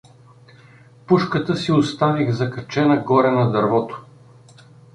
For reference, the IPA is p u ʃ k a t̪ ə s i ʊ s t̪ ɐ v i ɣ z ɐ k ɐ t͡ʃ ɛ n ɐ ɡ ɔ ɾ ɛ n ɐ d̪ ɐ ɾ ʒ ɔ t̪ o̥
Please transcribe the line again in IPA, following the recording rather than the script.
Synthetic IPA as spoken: p u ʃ k ə t̪ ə s i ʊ s t̪ a v i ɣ z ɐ k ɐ t͡ʃ ɛ n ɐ ɡ ɔ ɾ ɛ n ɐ d̪ ɐ ɾ v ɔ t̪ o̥